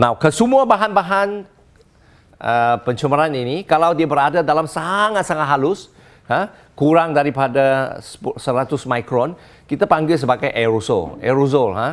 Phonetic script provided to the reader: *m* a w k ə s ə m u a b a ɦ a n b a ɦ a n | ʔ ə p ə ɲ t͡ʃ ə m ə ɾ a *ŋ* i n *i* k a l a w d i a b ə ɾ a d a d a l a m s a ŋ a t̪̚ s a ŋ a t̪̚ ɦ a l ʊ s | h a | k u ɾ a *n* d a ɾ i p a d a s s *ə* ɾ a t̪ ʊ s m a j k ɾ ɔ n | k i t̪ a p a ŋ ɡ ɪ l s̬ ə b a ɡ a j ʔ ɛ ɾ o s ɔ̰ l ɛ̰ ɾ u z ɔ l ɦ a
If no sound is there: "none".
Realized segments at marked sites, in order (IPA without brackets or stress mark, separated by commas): n, n, i, ŋ, ə